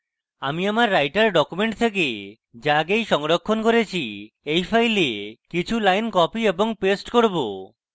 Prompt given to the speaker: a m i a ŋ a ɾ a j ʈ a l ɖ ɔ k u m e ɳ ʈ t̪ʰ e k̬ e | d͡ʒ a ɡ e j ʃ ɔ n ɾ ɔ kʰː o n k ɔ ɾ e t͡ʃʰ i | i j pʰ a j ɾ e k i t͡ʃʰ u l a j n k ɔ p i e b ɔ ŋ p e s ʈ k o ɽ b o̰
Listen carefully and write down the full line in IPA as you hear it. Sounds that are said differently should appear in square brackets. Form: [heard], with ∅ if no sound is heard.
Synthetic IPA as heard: a m i a [m] a [ɾː] a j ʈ a [ɾ] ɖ ɔ k u m e ɳ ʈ t̪ʰ e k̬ e | d͡ʒ a ɡ e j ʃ ɔ [ŋ] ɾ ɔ kʰː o n k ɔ ɾ e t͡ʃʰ i | [e] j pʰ a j [l] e k i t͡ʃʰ u l a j n k ɔ p i e b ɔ ŋ p e s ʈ k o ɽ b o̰